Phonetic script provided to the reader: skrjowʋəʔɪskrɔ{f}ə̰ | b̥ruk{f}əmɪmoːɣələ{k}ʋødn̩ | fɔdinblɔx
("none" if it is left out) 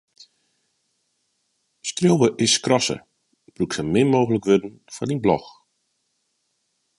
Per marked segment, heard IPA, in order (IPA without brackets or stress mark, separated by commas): s, s, k